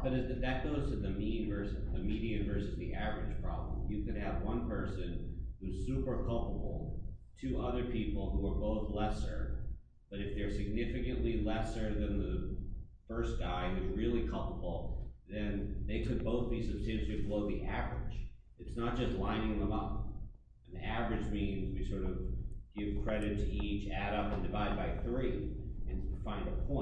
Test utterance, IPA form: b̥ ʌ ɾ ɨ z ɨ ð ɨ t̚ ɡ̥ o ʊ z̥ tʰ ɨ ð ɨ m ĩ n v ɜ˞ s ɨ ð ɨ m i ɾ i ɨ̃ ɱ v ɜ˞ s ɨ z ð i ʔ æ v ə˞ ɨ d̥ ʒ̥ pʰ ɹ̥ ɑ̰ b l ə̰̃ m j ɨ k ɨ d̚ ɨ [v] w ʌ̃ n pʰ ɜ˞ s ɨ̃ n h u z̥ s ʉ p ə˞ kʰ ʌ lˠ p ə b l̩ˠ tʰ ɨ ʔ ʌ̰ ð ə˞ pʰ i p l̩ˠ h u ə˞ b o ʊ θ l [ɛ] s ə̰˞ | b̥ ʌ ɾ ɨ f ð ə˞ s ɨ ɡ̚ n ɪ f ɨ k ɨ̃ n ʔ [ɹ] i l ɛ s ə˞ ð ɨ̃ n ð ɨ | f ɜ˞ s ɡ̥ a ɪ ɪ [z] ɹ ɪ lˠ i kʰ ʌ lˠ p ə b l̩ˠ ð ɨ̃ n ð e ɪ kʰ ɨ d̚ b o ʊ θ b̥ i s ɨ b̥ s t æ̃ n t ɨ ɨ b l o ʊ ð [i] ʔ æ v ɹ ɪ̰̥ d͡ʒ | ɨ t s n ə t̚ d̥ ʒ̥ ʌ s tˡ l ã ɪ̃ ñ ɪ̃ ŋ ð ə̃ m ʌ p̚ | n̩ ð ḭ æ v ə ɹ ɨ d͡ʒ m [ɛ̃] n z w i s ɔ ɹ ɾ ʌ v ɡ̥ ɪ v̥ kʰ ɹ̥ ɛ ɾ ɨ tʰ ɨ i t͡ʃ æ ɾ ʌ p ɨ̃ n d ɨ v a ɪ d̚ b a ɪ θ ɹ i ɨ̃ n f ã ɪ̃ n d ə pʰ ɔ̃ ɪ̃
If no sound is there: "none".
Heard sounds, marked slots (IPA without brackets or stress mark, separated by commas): v, ɛ, l, z, i, ĩ